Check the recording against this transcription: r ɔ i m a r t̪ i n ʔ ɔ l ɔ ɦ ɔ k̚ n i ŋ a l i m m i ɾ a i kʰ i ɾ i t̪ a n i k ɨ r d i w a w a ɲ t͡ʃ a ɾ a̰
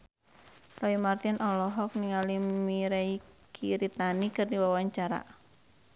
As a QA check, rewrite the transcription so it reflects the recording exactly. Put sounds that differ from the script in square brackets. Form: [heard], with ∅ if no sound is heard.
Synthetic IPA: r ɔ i m a r t̪ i n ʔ ɔ l ɔ ɦ ɔ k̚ n i ŋ a l i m m i ɾ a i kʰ i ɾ i t̪ a n i k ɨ r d i w a w a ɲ t͡ʃ a ɾ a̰

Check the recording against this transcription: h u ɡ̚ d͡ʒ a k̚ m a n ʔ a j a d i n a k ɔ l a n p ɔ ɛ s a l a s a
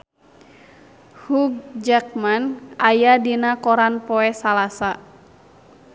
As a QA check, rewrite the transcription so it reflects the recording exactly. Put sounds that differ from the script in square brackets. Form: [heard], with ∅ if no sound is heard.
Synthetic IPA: h u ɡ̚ d͡ʒ a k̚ m a n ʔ a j a d i n a k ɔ [ɾ] a n p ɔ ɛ s a l a s a

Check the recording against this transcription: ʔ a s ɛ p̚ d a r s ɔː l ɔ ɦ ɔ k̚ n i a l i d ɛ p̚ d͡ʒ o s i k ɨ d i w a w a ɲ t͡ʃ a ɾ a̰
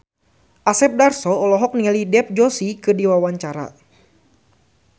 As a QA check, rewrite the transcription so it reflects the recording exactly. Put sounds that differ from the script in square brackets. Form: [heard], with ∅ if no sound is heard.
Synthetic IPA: ʔ a s ɛ p̚ d a r s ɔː l ɔ ɦ ɔ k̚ n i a l i d ɛ p̚ d͡ʒ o s i k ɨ d i w a w a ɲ t͡ʃ a ɾ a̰

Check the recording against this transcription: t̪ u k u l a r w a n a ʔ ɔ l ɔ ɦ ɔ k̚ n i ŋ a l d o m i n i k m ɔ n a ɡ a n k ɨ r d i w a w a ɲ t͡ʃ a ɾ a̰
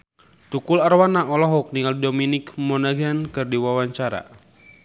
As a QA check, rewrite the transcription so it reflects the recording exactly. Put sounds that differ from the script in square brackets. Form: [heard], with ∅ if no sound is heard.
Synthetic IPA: t̪ u k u l a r w a n a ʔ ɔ l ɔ ɦ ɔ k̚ n i ŋ a l d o m i n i k m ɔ n a ɡ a n k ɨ r d i w a w a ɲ t͡ʃ a ɾ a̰

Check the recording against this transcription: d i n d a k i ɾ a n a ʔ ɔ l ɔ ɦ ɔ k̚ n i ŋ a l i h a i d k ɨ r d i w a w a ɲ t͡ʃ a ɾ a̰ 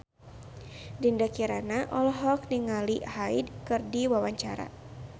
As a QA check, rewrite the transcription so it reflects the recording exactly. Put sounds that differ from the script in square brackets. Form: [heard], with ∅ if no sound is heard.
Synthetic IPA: d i n d a k i ɾ a n a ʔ ɔ l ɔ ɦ ɔ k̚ n i ŋ a l i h a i d k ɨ r d i w a w a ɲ t͡ʃ a ɾ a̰

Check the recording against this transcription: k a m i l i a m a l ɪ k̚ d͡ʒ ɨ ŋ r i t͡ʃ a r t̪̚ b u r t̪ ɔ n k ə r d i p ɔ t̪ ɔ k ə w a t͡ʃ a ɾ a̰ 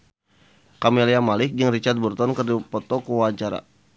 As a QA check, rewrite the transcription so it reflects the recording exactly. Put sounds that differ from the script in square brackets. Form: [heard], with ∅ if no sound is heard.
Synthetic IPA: k a m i l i a m a l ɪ k̚ d͡ʒ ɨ ŋ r i t͡ʃ a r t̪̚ b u r t̪ ɔ n k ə r d i p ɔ t̪ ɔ k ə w a t͡ʃ a ɾ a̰

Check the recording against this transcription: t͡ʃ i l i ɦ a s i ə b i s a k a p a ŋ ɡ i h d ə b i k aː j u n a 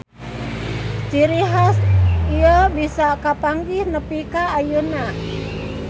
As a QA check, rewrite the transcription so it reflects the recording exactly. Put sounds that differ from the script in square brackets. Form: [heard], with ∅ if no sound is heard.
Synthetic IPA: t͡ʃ i [ɾ] i ɦ a s i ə b i s a k a p a ŋ ɡ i h [n] ə [p] i k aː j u n a

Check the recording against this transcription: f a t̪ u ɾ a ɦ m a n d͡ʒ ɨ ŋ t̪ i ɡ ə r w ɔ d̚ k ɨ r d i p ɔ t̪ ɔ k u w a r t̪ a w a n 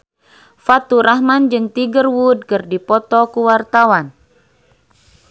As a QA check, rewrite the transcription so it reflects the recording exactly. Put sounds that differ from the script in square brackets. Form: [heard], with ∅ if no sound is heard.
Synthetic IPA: f a t̪ u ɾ a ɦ m a n d͡ʒ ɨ ŋ t̪ i ɡ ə r w [u] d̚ k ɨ r d i p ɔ t̪ ɔ k u w a r t̪ a w a n

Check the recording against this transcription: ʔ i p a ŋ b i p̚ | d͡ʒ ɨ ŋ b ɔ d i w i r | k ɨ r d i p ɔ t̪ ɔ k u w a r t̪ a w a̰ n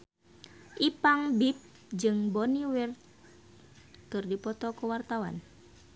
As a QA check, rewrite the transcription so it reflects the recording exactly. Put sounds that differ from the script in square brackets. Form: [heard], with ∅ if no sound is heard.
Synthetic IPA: ʔ i p a ŋ b i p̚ | d͡ʒ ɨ ŋ b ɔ [n] i w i r | k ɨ r d i p ɔ t̪ ɔ k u w a r t̪ a w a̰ n

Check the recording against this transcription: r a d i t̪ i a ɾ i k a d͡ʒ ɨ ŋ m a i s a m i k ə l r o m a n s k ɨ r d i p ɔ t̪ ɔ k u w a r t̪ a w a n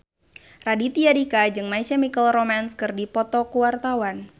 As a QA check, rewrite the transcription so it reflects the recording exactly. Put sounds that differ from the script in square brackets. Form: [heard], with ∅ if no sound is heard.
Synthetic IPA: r a d i t̪ i a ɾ i k a d͡ʒ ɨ ŋ m a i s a m i k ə l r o m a n s k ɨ r d i p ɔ t̪ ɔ k u w a r t̪ a w a n

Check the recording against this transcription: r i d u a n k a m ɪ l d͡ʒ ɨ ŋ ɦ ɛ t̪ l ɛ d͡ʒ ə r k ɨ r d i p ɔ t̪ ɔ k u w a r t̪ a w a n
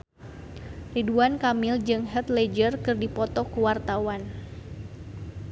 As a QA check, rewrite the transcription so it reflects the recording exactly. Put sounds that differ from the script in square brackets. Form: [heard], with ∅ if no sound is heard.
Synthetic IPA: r i d u a n k a m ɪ l d͡ʒ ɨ ŋ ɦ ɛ t̪ l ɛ d͡ʒ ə r k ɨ r d i p ɔ t̪ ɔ k u w a r t̪ a w a n

